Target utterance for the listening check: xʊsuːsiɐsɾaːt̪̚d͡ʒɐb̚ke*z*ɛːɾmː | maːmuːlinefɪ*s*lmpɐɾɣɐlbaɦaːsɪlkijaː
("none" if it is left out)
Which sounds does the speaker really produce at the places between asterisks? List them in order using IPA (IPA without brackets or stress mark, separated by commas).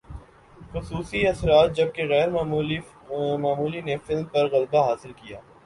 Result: ɣ, none